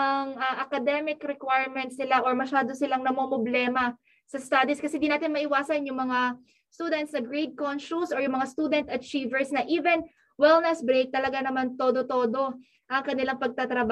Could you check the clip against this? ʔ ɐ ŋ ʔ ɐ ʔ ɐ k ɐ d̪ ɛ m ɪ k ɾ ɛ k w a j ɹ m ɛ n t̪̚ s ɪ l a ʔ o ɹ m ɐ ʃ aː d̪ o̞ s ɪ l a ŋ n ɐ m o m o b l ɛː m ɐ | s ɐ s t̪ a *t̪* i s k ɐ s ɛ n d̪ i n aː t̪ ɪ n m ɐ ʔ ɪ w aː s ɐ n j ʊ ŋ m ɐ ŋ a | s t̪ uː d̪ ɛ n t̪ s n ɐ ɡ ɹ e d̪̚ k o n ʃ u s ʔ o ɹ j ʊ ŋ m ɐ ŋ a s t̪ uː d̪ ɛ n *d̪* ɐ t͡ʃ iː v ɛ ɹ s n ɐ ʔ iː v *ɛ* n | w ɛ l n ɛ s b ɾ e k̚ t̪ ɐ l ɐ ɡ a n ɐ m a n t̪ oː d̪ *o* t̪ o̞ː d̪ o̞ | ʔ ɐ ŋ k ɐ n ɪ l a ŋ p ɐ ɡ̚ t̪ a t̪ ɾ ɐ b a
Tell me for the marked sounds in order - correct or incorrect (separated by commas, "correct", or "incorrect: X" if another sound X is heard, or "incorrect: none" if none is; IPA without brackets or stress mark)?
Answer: incorrect: d̪, incorrect: t̪, correct, correct